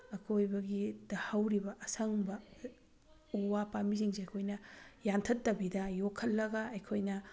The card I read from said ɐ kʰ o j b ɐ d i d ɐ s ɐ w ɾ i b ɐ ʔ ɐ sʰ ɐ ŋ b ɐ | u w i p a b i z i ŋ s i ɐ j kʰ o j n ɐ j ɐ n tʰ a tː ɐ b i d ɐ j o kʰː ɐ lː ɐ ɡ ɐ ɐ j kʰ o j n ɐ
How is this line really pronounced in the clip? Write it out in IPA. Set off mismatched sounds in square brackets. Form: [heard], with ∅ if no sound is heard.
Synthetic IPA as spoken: ɐ kʰ o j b ɐ [ɡ] i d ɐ [h] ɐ w ɾ i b ɐ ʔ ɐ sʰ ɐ ŋ b ɐ | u w [a] p a [m] i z i ŋ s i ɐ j kʰ o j n ɐ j [a] n tʰ [ɐ] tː ɐ b i d ɐ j o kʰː ɐ lː ɐ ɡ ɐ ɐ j kʰ o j n ɐ

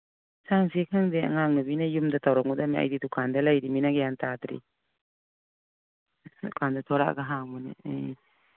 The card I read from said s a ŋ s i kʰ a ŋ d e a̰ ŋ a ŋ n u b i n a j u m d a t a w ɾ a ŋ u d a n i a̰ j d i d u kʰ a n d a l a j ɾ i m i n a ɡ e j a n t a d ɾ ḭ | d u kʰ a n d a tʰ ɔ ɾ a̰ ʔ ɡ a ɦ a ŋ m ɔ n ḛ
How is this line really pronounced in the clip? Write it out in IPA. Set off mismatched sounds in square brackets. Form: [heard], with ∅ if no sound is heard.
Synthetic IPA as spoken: s a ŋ s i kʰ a ŋ d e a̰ ŋ a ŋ n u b i n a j u m d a t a w ɾ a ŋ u d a [m] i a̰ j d i d u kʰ a n d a l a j ɾ i m i n a ɡ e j a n t a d ɾ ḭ | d u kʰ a n d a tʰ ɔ ɾ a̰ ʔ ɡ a ɦ a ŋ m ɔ n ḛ

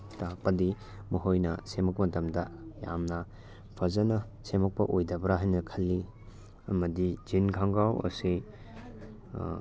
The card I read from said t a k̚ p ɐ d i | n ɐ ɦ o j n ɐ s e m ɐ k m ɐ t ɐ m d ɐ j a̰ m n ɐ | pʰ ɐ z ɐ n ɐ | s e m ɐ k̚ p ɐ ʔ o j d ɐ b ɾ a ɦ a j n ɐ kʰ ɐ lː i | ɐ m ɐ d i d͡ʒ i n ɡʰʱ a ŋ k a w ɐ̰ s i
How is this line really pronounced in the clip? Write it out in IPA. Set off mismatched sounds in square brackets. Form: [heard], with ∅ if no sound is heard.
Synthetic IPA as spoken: t a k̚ p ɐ d i | [m] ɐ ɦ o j n ɐ s e m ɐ k m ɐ t ɐ m d ɐ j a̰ m n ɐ | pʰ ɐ z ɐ n ɐ | s e m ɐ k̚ p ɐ ʔ o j d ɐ b ɾ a ɦ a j n ɐ kʰ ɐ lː i | ɐ m ɐ d i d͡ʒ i n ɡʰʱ a ŋ [ɡ] a w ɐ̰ s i

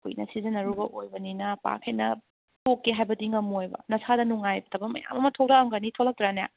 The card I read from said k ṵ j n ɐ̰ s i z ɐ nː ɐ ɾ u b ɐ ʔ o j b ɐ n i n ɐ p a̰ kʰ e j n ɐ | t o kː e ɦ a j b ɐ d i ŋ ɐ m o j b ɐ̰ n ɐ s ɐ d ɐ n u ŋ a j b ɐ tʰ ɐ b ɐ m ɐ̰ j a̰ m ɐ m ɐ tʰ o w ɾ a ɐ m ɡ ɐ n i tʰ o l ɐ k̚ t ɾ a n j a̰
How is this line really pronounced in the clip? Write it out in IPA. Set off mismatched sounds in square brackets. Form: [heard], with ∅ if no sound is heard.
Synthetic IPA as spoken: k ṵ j n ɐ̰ s i z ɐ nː ɐ ɾ u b ɐ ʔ o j b ɐ n i n ɐ p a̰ kʰ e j n ɐ | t o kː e ɦ a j b ɐ d i ŋ ɐ m o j b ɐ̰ n ɐ s [a] d ɐ n u ŋ a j b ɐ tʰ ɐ b ɐ m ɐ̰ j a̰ m ɐ m ɐ tʰ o w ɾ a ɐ m ɡ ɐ n i tʰ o l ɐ k̚ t ɾ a n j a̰

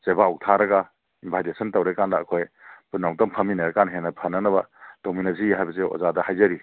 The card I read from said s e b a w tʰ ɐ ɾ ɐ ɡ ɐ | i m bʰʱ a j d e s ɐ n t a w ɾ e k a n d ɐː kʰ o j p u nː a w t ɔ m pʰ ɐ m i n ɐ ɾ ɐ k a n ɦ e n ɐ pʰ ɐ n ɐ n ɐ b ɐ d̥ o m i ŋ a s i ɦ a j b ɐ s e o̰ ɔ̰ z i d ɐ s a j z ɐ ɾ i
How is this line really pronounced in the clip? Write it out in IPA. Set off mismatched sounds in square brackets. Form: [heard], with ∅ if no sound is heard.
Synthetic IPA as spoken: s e b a w tʰ [a] ɾ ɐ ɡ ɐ | i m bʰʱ a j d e s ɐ n t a w ɾ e k a n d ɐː kʰ o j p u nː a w t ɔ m pʰ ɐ m i n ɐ ɾ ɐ k a n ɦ e n ɐ pʰ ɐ n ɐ n ɐ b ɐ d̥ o m i [n] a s i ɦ a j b ɐ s e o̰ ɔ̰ z [a] d ɐ [h] a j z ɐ ɾ i

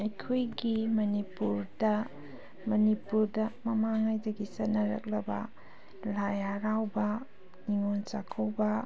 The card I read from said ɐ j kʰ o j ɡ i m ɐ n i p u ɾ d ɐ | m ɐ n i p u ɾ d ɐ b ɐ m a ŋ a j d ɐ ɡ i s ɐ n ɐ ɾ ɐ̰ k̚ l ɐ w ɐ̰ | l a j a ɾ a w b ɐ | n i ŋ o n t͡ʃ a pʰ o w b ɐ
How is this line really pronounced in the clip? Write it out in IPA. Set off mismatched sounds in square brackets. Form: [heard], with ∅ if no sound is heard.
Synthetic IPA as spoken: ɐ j kʰ o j ɡ i m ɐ n i p u ɾ d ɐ | m ɐ n i p u ɾ d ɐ [m] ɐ m a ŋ a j d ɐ ɡ i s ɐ n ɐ ɾ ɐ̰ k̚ l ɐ [b] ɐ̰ | l a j a ɾ a w b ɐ | n i ŋ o n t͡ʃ a [kʰ] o w b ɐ

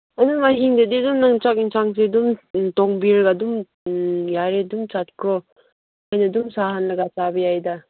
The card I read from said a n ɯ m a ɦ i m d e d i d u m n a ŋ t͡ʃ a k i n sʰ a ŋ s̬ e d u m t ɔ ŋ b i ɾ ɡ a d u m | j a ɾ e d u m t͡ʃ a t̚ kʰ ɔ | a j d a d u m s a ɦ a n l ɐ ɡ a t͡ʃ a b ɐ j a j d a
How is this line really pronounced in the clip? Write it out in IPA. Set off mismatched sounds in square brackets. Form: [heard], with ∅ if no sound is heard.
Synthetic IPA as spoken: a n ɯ m a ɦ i [ŋ] d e d i d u m n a ŋ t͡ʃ a k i n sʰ a ŋ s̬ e d u m t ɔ ŋ b i ɾ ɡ a d u m | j a ɾ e d u m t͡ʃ a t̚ kʰ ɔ | a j [n] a d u m s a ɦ a n l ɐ ɡ a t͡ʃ a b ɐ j a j d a

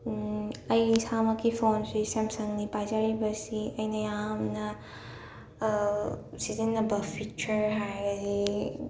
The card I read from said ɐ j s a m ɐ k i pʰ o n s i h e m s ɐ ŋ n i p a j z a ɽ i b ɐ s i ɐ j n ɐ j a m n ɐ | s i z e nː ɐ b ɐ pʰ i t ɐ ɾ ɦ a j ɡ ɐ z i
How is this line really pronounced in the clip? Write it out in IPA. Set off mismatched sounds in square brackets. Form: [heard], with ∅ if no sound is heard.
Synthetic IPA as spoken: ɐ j s a m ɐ k i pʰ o n s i [s] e m s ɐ ŋ n i p a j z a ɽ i b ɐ s i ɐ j n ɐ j a m n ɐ | s i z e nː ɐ b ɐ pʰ i [t͡ʃ] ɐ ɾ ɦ a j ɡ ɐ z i

